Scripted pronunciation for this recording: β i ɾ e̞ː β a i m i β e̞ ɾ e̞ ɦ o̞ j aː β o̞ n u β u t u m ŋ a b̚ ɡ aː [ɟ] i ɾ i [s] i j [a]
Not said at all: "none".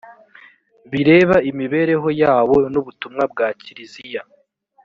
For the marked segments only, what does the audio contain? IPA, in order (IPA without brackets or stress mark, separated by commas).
c, z, a